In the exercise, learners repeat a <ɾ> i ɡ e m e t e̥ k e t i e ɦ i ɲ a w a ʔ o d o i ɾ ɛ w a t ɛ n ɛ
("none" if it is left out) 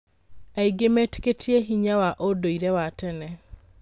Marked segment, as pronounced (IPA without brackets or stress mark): none